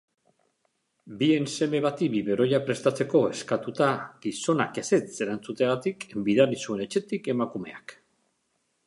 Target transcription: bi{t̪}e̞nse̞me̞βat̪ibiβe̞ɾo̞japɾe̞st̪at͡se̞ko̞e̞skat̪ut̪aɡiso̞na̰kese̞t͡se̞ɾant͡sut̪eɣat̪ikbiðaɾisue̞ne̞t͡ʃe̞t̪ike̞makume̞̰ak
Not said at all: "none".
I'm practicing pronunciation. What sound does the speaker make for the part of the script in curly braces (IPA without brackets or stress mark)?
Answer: none